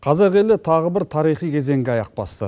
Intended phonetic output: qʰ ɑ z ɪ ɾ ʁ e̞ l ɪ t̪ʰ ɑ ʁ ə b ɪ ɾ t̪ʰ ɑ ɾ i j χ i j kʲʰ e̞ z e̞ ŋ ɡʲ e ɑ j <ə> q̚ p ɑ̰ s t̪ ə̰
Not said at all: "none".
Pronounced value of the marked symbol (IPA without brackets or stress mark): ɑ